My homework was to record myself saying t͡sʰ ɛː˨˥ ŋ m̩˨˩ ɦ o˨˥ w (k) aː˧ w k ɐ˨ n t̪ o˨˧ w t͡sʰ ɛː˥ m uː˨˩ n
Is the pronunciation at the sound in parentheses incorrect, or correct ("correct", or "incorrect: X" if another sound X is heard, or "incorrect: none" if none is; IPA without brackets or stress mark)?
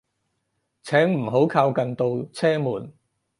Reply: incorrect: kʰ